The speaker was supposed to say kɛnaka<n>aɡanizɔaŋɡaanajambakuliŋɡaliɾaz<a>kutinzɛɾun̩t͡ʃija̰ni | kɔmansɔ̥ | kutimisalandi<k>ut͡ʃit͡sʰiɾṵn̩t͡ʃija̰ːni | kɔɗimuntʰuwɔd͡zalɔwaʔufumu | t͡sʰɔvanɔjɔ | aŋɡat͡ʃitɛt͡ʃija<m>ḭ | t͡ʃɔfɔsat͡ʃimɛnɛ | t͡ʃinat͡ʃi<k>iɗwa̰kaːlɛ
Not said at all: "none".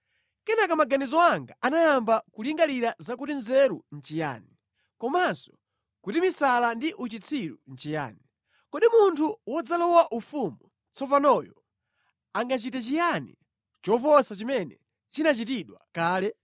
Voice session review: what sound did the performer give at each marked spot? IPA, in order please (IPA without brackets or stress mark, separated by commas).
m, a, ʔ, n, t